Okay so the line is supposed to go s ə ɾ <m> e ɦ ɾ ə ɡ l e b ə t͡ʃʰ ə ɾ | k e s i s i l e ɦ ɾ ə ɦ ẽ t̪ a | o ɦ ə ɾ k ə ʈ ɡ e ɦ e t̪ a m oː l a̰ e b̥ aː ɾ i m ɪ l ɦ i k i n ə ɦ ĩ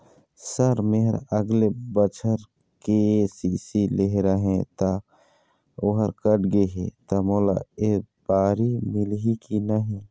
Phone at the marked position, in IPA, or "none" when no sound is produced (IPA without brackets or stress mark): m